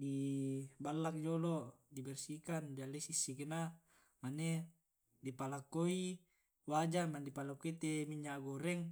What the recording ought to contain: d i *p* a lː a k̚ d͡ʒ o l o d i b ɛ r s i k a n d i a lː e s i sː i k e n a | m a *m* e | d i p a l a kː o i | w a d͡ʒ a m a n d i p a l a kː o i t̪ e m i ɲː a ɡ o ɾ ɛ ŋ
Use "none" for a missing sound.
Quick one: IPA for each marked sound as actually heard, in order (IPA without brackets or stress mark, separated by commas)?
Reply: b, n